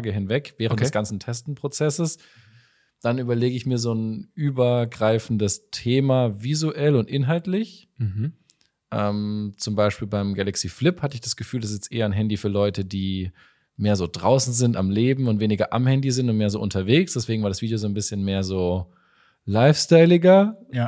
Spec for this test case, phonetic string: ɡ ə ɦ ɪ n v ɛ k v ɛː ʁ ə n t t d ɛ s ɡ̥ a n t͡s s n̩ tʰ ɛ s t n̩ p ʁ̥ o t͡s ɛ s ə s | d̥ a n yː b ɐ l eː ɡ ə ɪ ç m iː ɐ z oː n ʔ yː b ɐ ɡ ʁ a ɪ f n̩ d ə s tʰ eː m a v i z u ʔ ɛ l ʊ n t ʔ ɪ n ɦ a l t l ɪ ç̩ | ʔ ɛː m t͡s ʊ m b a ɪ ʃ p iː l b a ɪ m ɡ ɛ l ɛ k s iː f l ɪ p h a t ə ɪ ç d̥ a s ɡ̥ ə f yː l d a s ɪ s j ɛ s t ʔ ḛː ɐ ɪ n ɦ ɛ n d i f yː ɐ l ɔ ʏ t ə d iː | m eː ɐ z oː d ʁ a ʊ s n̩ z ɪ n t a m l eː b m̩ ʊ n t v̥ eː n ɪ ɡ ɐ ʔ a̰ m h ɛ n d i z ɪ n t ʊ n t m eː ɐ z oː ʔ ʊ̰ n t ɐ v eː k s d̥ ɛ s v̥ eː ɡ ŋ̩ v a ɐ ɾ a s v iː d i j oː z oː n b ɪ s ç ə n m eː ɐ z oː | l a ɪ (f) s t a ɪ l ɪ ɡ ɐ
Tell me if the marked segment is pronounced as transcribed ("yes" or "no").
yes